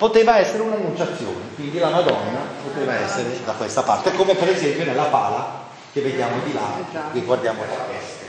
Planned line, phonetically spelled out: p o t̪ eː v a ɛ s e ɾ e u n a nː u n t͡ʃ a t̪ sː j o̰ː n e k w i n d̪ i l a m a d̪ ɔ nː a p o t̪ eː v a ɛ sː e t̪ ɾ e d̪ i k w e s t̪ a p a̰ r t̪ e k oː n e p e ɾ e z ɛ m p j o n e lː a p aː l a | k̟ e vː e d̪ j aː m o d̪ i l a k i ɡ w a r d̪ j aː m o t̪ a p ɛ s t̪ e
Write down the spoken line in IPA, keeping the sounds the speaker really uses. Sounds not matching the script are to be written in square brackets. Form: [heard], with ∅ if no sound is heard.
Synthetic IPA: p o t̪ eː v a ɛ [sː] e ɾ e u n a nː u n t͡ʃ a t̪ sː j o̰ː n e k w i n d̪ i l a m a d̪ ɔ nː a p o t̪ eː v a ɛ sː e [∅] ɾ e d̪ [a] k w e s t̪ a p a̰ r t̪ e k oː [m] e p e ɾ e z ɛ m p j o n e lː a p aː l a | k̟ e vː e d̪ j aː m o d̪ i l a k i ɡ w a r d̪ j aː m o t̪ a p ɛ s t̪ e